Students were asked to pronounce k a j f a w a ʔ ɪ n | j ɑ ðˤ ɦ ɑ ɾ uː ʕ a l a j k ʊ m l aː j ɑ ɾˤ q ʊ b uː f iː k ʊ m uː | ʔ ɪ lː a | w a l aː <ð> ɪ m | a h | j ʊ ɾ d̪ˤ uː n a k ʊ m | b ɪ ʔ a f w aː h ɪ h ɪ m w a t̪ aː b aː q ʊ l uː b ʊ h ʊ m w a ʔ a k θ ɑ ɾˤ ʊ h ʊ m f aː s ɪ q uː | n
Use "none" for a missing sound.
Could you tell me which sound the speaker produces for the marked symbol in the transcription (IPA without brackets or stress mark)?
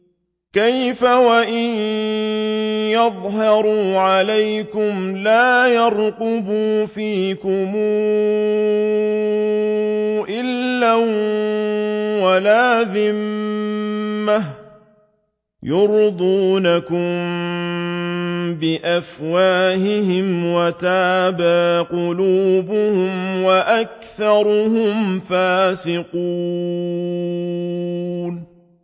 ð